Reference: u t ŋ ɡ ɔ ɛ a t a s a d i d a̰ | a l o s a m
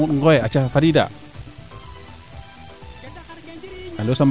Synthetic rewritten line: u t ŋ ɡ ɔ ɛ a t͡ʃ a f a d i d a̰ | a l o s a m